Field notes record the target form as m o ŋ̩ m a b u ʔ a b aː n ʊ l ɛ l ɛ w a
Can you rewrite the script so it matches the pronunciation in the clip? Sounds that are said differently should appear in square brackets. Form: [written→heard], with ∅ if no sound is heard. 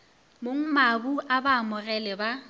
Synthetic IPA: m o ŋ̩ m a b u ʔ a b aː [n→m] ʊ [l→r] ɛ l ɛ [w→b] a